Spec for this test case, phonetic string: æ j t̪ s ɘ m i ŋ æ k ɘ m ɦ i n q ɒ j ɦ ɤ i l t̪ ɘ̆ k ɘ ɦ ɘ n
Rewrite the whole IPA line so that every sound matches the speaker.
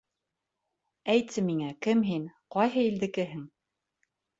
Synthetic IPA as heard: æ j t̪ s ɘ m i ŋ æ k ɘ m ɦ i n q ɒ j ɦ ɤ i l d̪ ɘ̆ k ɘ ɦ ɘ ŋ